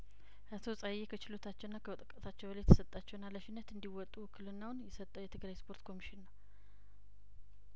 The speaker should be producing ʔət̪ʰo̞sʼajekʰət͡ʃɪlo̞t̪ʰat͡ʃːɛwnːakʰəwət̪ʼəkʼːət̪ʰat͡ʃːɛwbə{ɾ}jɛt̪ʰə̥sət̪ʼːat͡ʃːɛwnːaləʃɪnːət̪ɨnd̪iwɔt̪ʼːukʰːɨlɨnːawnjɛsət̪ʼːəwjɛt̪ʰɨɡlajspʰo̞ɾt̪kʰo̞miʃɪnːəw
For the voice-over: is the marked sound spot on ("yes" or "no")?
no